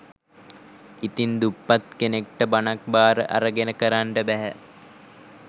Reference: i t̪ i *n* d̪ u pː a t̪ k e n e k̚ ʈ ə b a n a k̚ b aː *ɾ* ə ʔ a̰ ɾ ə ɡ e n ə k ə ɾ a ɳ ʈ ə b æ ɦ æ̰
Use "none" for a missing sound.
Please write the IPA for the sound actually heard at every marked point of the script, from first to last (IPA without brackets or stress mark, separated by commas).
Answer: n, ɾ